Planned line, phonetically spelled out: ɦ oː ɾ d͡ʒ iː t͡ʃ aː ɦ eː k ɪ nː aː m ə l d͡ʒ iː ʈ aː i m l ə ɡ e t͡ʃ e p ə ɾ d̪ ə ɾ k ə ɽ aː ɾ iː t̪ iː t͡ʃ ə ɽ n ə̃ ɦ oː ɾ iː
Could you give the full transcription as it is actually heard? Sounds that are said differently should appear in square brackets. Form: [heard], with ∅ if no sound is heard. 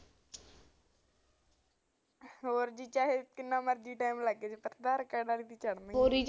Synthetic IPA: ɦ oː ɾ d͡ʒ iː t͡ʃ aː ɦ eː k ɪ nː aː m ə [ɾ] d͡ʒ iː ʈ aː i m l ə ɡ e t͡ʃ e p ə ɾ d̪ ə ɾ k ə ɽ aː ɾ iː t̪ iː t͡ʃ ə ɽ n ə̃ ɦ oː ɾ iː